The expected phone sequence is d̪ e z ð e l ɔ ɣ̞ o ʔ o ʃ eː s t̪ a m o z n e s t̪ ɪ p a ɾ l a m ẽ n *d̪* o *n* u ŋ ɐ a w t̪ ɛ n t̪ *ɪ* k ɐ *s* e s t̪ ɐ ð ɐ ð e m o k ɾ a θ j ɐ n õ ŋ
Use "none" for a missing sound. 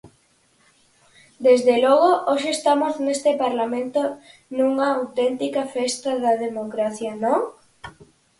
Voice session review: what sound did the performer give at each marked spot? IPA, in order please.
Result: t̪, n, i, f

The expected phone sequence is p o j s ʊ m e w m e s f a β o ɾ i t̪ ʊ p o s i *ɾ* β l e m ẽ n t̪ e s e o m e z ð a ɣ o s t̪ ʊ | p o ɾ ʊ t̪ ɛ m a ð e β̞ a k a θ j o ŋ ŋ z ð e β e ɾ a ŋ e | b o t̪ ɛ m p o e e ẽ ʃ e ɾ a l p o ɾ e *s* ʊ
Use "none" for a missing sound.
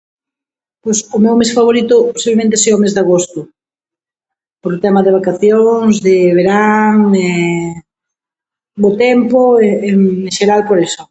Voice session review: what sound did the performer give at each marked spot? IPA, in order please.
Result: none, s

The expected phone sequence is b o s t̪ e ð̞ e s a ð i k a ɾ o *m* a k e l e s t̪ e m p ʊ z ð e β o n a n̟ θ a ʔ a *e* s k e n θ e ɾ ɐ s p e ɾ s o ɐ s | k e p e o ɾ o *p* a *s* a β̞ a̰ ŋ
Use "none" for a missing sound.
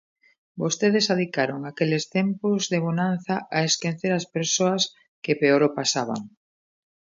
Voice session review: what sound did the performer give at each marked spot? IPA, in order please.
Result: ŋ, e, p, s

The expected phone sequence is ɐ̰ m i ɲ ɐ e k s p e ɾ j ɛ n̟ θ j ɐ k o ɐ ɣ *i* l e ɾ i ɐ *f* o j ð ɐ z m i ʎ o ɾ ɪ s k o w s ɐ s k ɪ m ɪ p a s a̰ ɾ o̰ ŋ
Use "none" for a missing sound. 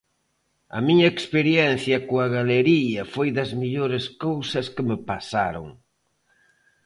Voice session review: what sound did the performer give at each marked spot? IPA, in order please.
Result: a, f

